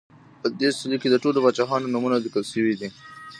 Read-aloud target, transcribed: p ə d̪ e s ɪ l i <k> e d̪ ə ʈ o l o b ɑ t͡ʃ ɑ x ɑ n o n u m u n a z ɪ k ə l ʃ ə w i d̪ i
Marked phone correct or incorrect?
correct